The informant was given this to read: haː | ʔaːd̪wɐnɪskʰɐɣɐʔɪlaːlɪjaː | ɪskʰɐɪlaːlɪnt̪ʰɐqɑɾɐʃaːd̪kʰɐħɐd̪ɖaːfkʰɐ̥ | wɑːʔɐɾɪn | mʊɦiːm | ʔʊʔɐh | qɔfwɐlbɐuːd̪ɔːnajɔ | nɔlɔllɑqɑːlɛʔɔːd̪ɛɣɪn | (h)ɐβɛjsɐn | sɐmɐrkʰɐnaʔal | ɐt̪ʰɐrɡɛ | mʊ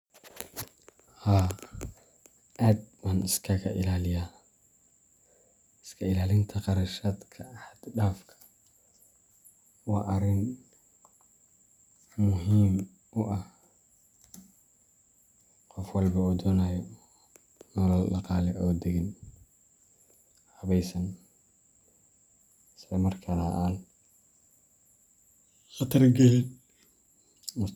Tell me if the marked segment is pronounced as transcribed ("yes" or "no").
yes